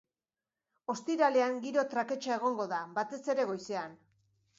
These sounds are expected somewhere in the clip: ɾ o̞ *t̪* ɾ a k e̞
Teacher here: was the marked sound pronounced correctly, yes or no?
yes